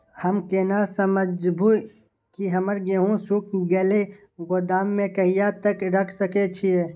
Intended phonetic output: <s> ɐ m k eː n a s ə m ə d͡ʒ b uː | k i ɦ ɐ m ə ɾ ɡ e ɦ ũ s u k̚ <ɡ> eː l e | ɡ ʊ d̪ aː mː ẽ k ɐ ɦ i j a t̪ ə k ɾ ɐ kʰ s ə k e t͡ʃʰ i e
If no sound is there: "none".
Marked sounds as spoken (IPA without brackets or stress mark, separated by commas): h, ɡ